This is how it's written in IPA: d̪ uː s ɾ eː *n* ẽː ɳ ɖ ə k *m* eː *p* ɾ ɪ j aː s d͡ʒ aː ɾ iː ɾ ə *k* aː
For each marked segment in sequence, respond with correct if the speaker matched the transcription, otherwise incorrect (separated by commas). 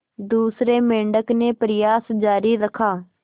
incorrect, incorrect, correct, incorrect